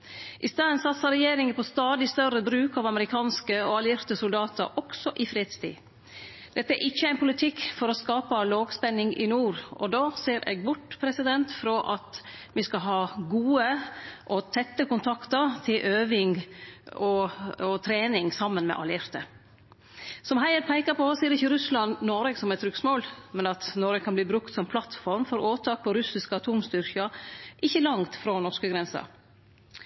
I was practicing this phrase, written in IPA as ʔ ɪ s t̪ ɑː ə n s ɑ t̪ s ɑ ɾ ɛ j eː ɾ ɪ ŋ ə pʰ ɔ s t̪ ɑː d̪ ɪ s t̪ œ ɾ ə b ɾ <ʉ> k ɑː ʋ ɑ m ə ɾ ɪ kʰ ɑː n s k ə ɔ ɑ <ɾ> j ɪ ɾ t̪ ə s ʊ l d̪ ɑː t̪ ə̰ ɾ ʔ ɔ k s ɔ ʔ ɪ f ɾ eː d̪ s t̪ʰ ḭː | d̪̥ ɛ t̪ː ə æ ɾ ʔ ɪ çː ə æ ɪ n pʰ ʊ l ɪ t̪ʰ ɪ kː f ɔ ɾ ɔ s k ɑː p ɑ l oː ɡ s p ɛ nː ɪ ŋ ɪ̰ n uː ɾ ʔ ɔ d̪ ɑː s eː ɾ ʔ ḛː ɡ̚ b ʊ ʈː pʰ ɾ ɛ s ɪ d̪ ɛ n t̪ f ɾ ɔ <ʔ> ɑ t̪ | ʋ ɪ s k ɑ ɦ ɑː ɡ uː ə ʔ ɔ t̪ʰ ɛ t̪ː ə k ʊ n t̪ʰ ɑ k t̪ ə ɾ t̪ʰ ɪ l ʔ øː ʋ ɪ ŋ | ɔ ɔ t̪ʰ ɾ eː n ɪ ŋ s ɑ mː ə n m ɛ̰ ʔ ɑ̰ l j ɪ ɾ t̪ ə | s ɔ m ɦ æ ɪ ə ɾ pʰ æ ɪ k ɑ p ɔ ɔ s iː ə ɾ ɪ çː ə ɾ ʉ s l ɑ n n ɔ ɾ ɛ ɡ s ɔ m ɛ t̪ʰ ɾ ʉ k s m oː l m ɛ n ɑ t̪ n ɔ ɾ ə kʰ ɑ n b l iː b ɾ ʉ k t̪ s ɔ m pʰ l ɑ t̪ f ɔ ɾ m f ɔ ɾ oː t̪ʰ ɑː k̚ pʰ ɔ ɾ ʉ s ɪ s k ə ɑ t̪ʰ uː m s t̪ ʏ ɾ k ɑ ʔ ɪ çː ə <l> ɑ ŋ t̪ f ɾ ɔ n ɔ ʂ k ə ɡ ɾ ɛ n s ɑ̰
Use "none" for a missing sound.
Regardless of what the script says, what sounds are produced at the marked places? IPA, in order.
ʉː, l, ʔ, l

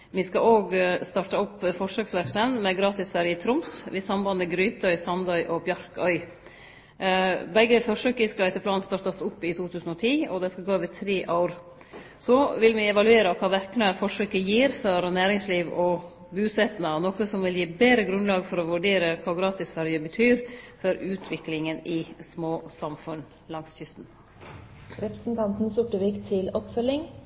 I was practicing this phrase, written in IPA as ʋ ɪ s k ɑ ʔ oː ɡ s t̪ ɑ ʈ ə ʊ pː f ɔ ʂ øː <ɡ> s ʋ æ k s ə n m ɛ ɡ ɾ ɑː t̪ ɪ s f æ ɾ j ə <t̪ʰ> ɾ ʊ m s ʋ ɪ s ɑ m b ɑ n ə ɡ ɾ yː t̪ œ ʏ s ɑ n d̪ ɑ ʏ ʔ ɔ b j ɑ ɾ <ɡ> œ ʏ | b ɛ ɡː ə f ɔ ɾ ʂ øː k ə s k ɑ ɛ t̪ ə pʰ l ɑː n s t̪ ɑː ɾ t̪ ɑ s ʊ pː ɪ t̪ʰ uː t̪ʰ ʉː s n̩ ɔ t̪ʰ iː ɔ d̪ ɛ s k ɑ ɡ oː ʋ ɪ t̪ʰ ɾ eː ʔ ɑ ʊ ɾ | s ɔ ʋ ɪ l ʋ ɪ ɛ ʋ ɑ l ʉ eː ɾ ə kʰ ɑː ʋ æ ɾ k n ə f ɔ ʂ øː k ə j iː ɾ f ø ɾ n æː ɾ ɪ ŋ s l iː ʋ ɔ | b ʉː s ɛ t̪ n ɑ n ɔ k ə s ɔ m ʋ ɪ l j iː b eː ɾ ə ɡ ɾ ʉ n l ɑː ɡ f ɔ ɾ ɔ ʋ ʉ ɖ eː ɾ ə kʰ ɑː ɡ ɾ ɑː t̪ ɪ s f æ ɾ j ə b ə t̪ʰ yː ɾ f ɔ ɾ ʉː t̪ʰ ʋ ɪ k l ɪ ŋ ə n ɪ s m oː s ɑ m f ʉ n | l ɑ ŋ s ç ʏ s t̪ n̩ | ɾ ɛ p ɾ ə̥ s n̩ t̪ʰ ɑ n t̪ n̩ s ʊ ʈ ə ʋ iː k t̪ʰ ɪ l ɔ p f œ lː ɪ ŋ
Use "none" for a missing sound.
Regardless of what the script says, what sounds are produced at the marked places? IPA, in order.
k, t̪ʰ, k

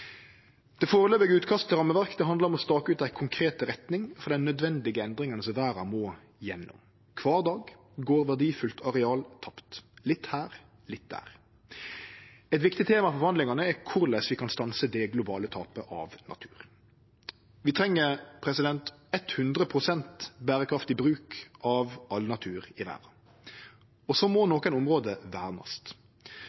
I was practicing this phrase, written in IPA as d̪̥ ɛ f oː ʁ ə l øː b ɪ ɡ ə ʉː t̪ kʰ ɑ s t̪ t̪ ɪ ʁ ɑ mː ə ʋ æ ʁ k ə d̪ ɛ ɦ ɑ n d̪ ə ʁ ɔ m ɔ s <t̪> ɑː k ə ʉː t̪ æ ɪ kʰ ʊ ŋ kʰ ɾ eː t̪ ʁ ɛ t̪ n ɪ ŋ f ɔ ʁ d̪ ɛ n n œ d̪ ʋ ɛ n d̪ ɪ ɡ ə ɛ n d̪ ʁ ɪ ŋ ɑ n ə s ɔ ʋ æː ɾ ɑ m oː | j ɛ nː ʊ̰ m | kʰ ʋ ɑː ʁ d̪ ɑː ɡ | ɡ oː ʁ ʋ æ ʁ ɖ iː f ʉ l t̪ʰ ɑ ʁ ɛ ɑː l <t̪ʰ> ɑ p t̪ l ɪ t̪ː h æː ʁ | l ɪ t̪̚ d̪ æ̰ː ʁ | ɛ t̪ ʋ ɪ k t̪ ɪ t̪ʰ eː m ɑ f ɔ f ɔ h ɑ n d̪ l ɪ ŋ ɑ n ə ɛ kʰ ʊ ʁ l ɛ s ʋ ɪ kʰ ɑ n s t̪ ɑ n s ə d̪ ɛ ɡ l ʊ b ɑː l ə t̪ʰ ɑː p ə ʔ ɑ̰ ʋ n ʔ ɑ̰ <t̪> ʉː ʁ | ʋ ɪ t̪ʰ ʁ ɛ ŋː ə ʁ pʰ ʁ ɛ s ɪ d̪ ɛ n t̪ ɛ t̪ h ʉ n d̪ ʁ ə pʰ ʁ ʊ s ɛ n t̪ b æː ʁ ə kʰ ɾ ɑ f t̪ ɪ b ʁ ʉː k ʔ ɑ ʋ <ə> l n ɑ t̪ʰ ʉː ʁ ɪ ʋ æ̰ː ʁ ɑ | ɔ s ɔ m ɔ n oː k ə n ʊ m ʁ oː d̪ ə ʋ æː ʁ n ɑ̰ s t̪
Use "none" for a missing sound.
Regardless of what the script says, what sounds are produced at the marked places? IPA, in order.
t̪, t̪ʰ, t̪ʰ, ɑ

